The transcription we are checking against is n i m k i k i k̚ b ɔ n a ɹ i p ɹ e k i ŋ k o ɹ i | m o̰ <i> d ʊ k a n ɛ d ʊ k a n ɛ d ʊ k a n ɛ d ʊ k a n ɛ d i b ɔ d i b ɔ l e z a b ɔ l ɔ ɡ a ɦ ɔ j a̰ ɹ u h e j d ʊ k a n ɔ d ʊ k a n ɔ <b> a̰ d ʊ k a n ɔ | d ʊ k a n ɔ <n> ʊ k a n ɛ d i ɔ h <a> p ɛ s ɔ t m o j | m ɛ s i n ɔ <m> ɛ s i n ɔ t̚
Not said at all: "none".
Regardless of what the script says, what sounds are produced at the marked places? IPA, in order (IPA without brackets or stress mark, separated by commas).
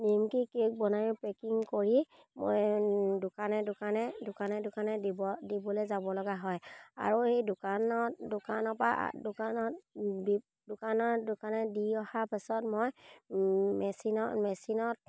j, p, d, a, m